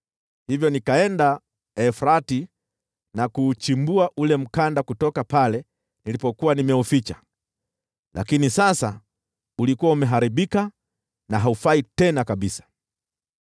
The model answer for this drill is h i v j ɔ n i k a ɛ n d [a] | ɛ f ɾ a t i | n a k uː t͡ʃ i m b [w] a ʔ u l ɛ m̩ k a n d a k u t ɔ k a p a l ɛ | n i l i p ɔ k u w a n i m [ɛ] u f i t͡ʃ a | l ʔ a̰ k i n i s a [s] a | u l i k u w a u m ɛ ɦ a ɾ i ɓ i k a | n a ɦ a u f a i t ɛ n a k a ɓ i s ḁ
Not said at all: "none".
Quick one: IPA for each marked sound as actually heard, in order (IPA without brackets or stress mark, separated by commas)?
a, u, ɛ, s